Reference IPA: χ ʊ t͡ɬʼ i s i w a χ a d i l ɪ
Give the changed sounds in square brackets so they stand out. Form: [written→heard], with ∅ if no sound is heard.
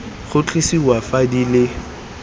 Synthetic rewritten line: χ ʊ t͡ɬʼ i s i w a [χ→f] a d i l ɪ